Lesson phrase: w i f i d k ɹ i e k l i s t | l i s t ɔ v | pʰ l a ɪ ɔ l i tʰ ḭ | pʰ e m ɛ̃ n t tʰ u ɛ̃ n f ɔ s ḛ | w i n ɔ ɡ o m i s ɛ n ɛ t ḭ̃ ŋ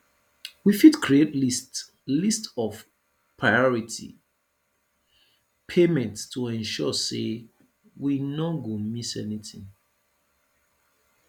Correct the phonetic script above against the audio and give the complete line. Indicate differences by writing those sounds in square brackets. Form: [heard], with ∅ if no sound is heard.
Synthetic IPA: w i f i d k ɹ i e [t] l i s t | l i s t ɔ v | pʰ [ɹ] a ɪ ɔ [ɹ] i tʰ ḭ | pʰ e m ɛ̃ n t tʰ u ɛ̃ n [ʃ] ɔ s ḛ | w i n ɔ ɡ o m i s ɛ n [i] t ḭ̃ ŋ